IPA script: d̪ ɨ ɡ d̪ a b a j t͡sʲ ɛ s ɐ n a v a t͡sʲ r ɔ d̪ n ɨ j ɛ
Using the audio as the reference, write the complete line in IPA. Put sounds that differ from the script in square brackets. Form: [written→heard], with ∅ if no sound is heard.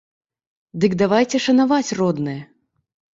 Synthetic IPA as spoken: d̪ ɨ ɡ d̪ a [b→v] a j t͡sʲ ɛ [s→ʂ] ɐ n a v a t͡sʲ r ɔ d̪ n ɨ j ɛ